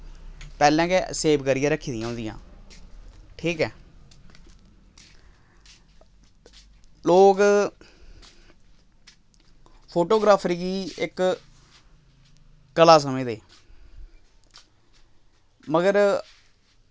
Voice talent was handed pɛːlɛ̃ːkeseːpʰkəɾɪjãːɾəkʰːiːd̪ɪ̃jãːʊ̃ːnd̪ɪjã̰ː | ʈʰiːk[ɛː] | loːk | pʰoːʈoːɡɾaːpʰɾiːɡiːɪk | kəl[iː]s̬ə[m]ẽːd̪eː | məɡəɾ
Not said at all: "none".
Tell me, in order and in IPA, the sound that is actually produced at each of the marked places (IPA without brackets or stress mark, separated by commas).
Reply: ɛː, aː, m